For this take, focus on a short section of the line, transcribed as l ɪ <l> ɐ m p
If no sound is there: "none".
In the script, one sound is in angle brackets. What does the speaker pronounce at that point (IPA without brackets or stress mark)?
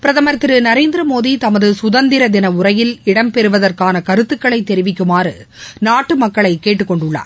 ɽ